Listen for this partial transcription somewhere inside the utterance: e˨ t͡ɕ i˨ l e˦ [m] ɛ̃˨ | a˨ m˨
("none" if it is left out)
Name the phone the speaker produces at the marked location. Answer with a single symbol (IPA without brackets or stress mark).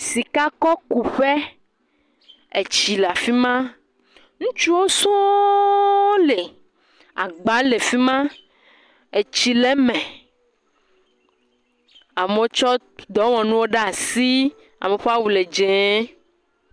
m